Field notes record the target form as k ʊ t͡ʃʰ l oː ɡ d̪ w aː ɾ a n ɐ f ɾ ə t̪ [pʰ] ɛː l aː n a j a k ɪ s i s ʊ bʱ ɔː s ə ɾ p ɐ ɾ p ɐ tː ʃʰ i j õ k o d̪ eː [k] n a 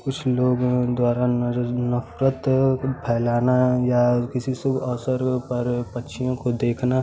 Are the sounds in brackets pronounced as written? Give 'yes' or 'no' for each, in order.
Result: yes, no

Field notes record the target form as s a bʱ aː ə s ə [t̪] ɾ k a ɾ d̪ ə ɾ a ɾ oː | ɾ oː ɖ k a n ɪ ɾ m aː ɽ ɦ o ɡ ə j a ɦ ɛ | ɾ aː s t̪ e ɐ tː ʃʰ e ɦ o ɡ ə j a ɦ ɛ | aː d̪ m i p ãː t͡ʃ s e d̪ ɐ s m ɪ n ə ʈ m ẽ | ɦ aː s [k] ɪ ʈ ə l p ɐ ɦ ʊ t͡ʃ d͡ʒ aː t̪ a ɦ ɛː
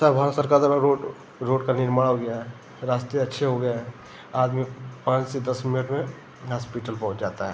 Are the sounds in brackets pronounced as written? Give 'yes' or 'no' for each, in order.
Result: no, no

